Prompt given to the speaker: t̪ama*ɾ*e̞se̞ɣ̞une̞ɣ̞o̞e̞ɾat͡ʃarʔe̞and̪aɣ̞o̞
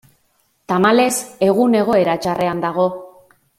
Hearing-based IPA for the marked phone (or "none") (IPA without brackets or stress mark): l